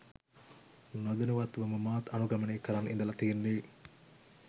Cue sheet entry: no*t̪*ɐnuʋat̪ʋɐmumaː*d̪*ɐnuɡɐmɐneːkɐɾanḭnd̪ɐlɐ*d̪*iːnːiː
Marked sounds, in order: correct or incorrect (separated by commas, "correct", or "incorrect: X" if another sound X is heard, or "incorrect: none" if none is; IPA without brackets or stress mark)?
incorrect: d̪, incorrect: t̪, incorrect: t̪